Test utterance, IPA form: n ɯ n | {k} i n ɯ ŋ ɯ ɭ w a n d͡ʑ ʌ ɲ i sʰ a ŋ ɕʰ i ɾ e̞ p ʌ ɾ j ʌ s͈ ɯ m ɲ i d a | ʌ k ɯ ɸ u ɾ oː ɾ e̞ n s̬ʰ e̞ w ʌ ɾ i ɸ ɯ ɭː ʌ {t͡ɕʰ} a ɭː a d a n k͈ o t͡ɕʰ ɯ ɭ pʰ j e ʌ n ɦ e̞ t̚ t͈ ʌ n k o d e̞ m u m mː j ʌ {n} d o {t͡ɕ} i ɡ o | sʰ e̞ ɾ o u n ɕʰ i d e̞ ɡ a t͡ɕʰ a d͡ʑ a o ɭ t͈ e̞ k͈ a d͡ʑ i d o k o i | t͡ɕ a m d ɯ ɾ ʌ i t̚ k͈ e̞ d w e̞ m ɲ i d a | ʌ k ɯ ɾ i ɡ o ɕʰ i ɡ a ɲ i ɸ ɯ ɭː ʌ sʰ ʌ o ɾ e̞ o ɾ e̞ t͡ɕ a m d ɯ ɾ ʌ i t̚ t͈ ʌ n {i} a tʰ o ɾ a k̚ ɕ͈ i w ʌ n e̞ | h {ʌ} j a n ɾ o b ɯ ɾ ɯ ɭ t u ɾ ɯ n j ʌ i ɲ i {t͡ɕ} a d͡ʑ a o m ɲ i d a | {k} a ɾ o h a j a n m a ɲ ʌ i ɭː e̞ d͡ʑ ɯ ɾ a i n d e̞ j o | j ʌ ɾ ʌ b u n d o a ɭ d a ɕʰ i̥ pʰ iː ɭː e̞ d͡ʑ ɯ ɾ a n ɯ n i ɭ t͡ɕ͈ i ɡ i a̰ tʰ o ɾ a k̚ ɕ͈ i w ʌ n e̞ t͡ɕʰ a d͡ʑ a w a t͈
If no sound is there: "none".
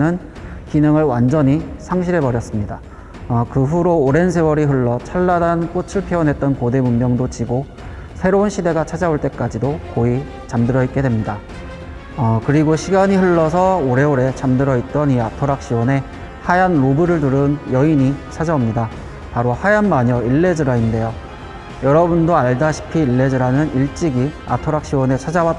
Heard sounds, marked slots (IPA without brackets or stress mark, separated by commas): k, t͡ɕʰ, ŋ, t͡ɕ, i, a, t͡ɕʰ, p